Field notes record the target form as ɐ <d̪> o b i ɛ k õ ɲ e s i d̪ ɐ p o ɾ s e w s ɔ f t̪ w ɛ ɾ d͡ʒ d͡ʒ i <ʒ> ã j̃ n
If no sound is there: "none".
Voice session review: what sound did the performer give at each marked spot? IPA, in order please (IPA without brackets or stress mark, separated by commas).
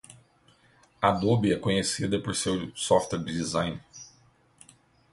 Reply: d̪, z